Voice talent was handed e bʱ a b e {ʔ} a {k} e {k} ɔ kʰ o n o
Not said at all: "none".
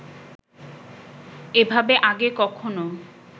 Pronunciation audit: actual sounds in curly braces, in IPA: ʔ, ɡ, k

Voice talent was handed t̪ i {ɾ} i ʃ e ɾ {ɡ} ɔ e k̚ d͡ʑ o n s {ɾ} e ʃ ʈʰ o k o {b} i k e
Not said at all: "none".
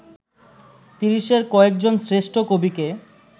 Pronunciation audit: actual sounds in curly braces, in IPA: ɾ, k, ɾ, b

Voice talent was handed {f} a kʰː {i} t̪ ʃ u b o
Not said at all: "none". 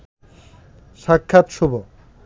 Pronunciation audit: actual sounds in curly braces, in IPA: ʃ, a

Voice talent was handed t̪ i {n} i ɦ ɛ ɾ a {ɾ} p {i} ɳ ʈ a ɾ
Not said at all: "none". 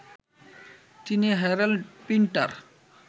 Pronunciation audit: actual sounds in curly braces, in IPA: n, l, i

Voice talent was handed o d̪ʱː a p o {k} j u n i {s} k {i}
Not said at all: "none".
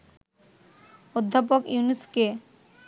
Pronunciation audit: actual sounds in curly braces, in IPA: k, s, e

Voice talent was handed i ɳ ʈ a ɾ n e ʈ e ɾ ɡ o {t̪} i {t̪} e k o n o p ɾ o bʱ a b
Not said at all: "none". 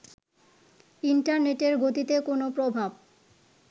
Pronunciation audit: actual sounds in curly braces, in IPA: t̪, t̪

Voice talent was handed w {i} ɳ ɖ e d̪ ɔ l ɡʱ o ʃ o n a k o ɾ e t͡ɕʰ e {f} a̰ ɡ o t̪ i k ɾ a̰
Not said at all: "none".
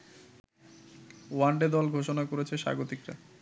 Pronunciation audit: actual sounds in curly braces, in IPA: a, ʃ

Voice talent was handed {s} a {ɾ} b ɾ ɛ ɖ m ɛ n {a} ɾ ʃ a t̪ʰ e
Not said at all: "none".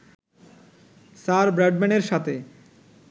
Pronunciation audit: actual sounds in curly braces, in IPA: s, ɾ, e

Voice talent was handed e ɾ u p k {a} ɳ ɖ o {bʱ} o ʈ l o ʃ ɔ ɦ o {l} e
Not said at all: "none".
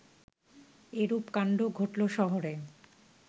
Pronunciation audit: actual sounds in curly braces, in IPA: a, ɡʱ, ɾ

